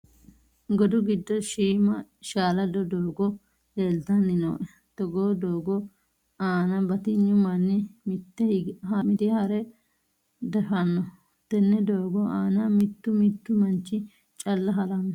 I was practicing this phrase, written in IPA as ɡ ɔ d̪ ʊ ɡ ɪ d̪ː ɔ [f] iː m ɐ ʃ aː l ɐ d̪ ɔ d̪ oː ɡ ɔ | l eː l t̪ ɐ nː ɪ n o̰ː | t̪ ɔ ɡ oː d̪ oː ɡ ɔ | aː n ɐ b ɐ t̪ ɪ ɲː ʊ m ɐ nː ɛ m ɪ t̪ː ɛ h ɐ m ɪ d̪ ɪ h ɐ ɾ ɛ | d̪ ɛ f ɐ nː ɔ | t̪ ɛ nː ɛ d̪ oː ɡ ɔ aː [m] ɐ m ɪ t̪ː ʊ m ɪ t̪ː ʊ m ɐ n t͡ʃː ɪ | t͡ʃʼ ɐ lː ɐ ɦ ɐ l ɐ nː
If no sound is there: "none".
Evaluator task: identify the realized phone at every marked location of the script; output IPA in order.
ʃ, n

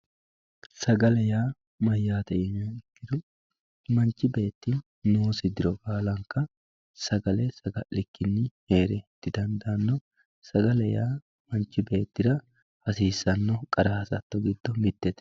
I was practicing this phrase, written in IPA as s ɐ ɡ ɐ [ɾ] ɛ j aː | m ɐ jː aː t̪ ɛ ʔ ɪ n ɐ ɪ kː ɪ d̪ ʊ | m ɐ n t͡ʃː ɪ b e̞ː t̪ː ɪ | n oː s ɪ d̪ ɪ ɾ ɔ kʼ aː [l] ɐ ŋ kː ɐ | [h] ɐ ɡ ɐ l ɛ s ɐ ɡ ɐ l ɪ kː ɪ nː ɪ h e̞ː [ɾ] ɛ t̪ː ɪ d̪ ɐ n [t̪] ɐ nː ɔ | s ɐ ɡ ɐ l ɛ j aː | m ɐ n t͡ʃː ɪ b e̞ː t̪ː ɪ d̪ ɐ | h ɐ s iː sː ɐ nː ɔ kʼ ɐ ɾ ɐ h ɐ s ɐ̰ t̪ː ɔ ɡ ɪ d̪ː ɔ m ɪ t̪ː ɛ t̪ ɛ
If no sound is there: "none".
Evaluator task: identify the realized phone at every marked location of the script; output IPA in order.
l, l, s, ɾ, d̪

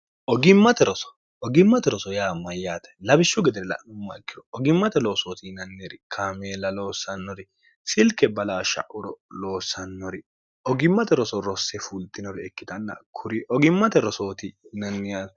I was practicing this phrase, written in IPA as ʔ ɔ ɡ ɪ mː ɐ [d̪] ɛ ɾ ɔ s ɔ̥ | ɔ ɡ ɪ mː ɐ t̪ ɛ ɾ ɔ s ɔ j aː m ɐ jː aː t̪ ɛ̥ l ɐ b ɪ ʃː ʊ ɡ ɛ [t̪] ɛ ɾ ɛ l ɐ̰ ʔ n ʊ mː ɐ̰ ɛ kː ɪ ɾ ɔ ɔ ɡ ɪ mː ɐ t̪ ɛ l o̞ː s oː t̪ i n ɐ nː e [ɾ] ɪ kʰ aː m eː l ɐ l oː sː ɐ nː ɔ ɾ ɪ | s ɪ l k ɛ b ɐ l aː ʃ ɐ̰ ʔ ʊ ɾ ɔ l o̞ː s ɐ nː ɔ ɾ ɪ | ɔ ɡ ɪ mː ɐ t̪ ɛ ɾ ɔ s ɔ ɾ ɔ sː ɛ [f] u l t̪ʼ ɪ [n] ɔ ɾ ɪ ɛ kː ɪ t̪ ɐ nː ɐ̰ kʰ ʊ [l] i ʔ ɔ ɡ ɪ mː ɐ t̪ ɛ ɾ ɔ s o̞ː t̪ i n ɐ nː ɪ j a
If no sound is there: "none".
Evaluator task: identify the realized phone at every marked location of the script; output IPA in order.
t̪, d̪, ɾ, f, n, ɾ

